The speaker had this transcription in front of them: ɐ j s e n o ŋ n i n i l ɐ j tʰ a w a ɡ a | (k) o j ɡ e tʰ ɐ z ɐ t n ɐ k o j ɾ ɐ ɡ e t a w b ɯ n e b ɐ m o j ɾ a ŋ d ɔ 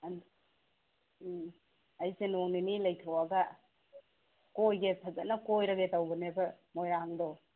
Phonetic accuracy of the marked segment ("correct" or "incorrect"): correct